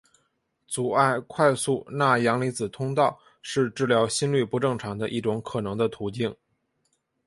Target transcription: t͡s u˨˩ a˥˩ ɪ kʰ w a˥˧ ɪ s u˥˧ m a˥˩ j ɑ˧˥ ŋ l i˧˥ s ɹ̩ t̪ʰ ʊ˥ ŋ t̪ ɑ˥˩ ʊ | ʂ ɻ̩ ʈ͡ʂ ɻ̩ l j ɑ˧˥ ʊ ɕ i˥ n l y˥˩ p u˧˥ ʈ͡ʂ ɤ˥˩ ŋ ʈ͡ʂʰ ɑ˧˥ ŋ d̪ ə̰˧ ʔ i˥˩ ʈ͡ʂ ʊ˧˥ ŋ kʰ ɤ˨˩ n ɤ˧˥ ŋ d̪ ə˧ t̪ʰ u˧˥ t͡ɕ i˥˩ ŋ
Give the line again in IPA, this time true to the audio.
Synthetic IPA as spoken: t͡s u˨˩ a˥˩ ɪ kʰ w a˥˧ ɪ s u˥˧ n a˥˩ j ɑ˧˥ ŋ l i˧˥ t͡s ɹ̩ t̪ʰ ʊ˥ ŋ t̪ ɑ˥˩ ʊ | ʂ ɻ̩ ʈ͡ʂ ɻ̩ l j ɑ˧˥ ʊ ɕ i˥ n l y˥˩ p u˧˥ ʈ͡ʂ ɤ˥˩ ŋ ʈ͡ʂʰ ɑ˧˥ ŋ d̪ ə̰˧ ʔ i˥˩ ʈ͡ʂ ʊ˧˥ ŋ kʰ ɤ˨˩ n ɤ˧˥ ŋ d̪ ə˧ t̪ʰ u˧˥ t͡ɕ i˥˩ ŋ

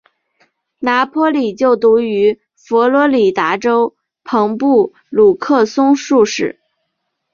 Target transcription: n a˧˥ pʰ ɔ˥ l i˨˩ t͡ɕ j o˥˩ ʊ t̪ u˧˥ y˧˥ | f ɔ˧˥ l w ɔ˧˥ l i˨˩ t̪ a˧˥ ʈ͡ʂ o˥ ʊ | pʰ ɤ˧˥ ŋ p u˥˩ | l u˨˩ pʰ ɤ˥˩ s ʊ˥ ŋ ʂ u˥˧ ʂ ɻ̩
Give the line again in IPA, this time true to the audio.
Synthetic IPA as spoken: n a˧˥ pʰ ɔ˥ l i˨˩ t͡ɕ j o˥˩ ʊ t̪ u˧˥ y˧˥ | f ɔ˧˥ l w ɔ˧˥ l i˨˩ t̪ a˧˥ ʈ͡ʂ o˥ ʊ | pʰ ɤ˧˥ ŋ p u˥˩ | l u˨˩ kʰ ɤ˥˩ s ʊ˥ ŋ ʂ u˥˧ ʂ ɻ̩

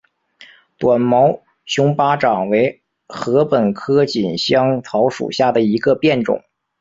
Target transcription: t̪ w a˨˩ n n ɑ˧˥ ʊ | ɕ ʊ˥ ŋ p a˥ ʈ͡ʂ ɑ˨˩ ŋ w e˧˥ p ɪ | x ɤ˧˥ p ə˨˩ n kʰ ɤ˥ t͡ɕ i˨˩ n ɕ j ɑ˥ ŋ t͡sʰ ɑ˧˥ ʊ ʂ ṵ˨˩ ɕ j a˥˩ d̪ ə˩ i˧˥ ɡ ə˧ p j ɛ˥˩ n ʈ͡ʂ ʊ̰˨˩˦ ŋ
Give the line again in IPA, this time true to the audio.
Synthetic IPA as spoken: t̪ w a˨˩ n m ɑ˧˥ ʊ | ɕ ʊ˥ ŋ p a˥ ʈ͡ʂ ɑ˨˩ ŋ w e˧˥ ɪ | x ɤ˧˥ p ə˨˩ n kʰ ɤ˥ t͡ɕ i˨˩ n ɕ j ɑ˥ ŋ t͡sʰ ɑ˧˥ ʊ ʂ ṵ˨˩ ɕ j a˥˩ d̪ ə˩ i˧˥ ɡ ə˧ p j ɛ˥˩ n ʈ͡ʂ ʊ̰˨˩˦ ŋ

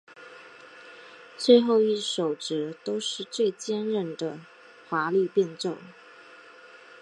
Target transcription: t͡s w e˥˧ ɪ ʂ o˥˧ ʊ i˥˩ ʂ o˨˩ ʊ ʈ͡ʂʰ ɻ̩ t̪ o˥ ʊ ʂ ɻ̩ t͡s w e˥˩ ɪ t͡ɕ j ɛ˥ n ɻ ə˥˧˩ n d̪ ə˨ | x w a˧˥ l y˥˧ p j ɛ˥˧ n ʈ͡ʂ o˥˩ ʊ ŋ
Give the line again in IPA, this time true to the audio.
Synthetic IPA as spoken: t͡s w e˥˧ ɪ x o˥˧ ʊ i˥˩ ʂ o˨˩ ʊ ʈ͡ʂ ɻ̩ t̪ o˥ ʊ ʂ ɻ̩ t͡s w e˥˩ ɪ t͡ɕ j ɛ˥ n ɻ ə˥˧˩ n d̪ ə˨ | x w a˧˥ l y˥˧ p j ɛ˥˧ n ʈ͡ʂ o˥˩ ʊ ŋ

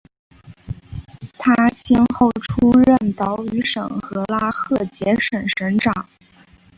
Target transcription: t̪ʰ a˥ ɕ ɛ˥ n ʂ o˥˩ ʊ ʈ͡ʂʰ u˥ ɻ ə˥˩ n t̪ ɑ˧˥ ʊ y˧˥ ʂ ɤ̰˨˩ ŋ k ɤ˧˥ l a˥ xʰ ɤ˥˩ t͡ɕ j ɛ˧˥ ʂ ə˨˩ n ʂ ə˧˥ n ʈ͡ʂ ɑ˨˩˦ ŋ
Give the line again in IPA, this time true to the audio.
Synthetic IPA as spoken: t̪ʰ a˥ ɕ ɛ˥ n x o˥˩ ʊ ʈ͡ʂʰ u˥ ɻ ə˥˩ n t̪ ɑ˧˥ ʊ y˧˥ ʂ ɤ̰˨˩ ŋ x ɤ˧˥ l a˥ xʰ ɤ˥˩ t͡ɕ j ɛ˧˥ ʂ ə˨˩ n ʂ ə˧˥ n ʈ͡ʂ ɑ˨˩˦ ŋ

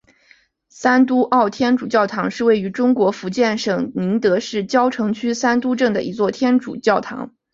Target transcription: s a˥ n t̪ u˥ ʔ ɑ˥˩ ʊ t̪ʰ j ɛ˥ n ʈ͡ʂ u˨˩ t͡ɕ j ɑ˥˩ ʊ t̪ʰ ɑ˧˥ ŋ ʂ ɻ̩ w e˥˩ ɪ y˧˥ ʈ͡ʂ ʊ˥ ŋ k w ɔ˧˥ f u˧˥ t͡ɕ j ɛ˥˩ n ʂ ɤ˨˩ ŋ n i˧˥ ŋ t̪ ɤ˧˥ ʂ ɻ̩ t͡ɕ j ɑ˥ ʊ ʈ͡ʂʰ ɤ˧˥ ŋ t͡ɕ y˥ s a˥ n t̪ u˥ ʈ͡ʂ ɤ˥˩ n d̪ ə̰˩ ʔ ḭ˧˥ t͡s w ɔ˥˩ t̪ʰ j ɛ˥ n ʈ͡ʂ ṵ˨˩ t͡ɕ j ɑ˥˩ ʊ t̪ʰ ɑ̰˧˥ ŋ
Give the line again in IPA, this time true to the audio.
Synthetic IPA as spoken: s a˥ n t̪ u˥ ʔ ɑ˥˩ ʊ t̪ʰ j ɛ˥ n ʈ͡ʂ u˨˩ t͡ɕ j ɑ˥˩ ʊ t̪ʰ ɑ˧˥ ŋ ʂ ɻ̩ w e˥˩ ɪ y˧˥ ʈ͡ʂ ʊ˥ ŋ k w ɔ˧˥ f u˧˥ t͡ɕ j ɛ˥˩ n ʂ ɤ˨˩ ŋ n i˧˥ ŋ t̪ ɤ˧˥ ʂ ɻ̩ t͡ɕ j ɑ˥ ʊ ʈ͡ʂʰ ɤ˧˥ ŋ t͡ɕʰ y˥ s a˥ n t̪ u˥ ʈ͡ʂ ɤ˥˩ ŋ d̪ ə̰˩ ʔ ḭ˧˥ t͡s w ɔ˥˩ t̪ʰ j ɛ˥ n ʈ͡ʂ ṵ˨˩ t͡ɕ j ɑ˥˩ ʊ t̪ʰ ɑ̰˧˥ ŋ

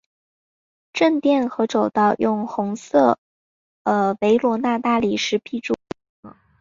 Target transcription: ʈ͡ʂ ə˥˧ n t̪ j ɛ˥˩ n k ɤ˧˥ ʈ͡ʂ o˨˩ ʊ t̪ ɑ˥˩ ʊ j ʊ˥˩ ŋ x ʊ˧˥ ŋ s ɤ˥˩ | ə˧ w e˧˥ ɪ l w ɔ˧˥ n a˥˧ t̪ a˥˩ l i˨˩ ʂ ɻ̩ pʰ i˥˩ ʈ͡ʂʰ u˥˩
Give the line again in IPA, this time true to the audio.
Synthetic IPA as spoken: ʈ͡ʂ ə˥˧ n t̪ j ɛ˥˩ n x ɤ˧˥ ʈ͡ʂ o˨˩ ʊ t̪ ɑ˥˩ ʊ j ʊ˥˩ ŋ x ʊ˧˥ ŋ s ɤ˥˩ | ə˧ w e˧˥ ɪ l w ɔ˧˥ n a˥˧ t̪ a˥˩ l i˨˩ ʂ ɻ̩ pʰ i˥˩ ʈ͡ʂ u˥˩

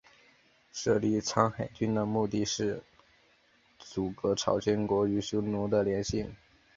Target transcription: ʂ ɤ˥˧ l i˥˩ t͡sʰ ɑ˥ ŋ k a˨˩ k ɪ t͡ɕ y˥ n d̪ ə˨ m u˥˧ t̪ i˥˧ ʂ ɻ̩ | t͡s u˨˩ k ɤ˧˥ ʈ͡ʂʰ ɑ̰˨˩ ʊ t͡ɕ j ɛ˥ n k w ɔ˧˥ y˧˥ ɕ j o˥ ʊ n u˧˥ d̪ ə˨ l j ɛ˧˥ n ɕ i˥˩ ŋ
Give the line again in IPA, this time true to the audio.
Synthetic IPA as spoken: ʂ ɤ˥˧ l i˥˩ t͡sʰ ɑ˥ ŋ x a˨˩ ɪ t͡ɕ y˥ n d̪ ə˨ m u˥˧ t̪ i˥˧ ʂ ɻ̩ | t͡s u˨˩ k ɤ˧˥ ʈ͡ʂʰ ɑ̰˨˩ ʊ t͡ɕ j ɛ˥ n k w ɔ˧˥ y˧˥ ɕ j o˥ ʊ n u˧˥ d̪ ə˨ l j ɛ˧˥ n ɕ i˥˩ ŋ

